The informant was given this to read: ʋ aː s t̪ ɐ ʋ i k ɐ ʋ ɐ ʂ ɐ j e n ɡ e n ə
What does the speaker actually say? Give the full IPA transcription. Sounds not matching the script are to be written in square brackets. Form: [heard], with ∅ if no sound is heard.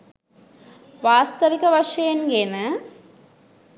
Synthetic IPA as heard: ʋ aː s t̪ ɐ ʋ i k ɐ ʋ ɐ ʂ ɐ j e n ɡ e n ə